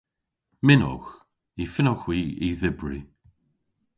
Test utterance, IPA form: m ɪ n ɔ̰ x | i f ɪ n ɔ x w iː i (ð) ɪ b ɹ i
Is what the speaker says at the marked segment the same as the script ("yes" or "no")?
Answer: yes